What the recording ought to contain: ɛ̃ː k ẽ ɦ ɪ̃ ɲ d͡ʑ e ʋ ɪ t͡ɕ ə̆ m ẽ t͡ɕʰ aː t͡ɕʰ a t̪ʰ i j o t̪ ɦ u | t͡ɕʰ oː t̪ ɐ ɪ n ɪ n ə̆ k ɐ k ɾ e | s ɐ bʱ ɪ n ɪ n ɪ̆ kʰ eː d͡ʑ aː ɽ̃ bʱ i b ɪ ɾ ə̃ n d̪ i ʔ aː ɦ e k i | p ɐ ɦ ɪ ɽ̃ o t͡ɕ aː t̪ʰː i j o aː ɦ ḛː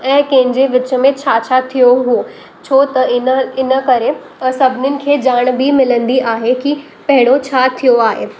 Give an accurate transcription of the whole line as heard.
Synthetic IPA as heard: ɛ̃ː k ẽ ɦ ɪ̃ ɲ d͡ʑ e ʋ ɪ t͡ɕ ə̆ m ẽ t͡ɕʰ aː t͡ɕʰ a t̪ʰ i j o ɦ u | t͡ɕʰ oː t̪ ɐ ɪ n ɪ n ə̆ k ɐ ɾ e | s ɐ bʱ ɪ n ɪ n ɪ̆ kʰ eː d͡ʑ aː ɽ̃ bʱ i m ɪ l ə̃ n d̪ i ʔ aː ɦ e k i | p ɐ ɦ ɪ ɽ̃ o t͡ɕʰ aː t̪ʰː i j o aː ɦ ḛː